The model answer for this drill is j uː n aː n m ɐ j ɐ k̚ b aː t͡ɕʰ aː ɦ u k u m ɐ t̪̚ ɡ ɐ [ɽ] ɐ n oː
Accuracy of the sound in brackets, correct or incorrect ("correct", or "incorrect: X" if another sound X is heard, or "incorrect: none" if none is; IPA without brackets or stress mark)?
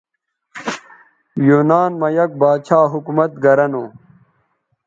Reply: incorrect: ɾ